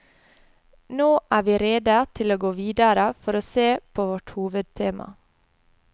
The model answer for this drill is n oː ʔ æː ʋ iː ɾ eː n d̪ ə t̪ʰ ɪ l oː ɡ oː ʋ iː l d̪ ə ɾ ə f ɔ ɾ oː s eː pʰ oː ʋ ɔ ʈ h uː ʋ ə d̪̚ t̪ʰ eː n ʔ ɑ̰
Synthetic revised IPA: n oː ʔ æː ʋ iː ɾ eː d̪ ə t̪ʰ ɪ l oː ɡ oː ʋ iː d̪ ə ɾ ə f ɔ ɾ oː s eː pʰ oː ʋ ɔ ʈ h uː ʋ ə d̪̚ t̪ʰ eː m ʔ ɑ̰